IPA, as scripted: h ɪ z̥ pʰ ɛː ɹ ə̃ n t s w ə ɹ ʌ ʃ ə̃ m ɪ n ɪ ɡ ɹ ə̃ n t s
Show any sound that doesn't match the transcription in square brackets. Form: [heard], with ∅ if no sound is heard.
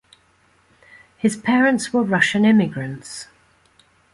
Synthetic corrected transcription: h ɪ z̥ pʰ ɛː ɹ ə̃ n t s w ə ɹ ʌ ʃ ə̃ [n] ɪ [m] ɪ ɡ ɹ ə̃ n t s